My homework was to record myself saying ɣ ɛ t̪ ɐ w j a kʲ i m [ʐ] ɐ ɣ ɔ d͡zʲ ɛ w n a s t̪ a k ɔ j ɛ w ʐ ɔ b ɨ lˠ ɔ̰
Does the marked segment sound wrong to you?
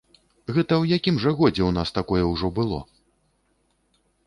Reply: no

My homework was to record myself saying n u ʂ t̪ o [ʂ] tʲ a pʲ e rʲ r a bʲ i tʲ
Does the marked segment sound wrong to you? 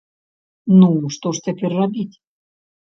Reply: no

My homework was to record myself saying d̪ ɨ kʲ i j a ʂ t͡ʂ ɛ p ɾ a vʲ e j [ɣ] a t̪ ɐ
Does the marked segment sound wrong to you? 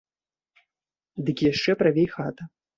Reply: yes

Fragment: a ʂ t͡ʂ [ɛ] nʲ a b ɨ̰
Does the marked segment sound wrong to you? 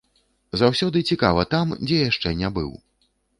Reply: no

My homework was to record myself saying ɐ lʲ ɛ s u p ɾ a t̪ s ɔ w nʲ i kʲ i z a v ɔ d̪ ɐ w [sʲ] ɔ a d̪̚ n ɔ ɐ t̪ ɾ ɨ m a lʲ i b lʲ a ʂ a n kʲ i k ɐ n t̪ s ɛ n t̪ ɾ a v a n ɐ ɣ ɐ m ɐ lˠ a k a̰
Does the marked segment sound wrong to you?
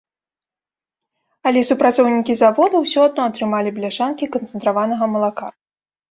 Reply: no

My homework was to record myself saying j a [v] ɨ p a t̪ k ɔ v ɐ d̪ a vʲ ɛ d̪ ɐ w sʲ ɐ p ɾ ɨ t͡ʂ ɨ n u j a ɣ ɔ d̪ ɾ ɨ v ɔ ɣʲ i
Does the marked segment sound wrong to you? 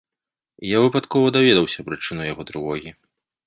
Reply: no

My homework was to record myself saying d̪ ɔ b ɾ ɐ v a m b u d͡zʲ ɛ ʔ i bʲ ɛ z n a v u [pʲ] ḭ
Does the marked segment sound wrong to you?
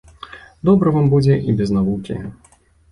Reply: yes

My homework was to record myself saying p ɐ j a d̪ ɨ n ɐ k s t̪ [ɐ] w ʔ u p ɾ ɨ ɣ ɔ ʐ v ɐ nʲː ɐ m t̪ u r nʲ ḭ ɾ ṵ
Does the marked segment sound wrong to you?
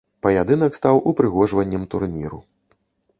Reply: yes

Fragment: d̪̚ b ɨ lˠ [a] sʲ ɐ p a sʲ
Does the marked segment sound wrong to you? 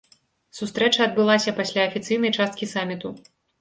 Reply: no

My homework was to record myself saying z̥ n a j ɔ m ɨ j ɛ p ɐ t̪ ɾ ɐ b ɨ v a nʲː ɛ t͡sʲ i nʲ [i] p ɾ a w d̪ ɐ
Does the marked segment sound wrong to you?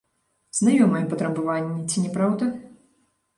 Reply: yes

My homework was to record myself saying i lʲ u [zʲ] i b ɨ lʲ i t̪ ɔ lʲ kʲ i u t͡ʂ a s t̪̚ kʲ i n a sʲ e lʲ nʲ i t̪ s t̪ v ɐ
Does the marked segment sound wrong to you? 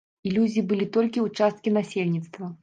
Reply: no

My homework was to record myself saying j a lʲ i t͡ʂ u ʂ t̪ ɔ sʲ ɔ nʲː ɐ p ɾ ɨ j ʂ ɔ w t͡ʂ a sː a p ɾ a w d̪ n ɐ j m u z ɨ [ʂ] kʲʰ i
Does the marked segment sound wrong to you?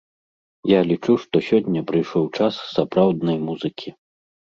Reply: yes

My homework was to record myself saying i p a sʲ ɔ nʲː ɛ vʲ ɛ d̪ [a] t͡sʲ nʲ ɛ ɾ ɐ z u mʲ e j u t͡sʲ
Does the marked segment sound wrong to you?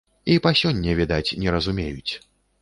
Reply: no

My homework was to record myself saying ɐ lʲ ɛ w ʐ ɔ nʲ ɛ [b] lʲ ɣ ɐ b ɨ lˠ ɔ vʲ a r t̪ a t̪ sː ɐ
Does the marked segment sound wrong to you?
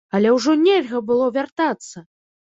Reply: yes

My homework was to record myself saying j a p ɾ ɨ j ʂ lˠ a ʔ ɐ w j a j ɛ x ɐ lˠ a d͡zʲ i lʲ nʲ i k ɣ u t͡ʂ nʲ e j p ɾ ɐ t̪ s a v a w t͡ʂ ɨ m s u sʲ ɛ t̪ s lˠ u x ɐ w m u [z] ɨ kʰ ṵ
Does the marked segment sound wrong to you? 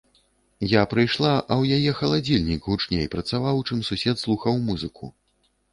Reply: no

